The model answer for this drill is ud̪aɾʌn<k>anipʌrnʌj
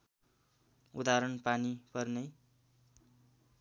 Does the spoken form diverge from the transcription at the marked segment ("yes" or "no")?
yes